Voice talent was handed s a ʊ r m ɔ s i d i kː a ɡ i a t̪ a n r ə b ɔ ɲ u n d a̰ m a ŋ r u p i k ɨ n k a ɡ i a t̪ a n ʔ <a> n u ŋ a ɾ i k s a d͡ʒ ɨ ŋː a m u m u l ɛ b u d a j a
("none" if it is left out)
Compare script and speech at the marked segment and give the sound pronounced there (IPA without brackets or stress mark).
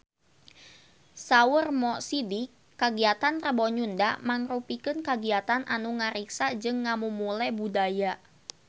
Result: a